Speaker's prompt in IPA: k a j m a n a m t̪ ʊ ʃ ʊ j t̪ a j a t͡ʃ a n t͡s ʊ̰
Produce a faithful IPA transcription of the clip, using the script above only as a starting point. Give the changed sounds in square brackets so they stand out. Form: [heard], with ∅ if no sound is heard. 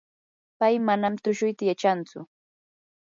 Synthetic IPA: [p] a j m a n a m t̪ ʊ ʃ ʊ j t̪ a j a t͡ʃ a n t͡s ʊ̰